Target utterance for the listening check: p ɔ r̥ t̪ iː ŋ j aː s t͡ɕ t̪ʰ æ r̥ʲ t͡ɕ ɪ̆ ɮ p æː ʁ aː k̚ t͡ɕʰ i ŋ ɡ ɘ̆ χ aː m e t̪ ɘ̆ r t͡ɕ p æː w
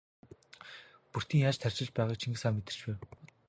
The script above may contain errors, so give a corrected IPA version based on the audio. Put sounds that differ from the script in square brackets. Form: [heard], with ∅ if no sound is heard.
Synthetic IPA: p [u] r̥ t̪ iː ŋ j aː [∅] t͡ɕ t̪ʰ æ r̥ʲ t͡ɕ ɪ̆ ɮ p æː ʁ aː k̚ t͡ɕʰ i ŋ ɡ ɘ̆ [s] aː m e t̪ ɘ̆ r t͡ɕ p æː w